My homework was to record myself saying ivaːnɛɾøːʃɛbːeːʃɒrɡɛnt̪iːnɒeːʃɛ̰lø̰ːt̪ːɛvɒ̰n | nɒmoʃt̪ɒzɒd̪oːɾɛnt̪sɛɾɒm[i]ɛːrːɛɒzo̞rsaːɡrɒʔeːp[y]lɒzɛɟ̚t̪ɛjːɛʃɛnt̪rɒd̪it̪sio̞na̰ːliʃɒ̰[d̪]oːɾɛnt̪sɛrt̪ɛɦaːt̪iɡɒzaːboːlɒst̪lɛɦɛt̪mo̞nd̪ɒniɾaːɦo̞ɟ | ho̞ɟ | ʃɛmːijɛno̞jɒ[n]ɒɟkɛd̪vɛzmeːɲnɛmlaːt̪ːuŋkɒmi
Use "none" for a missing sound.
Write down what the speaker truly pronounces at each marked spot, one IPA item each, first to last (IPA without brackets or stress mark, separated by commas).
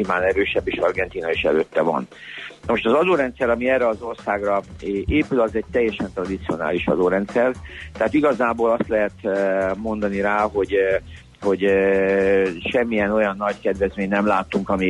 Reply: i, y, d̪, nː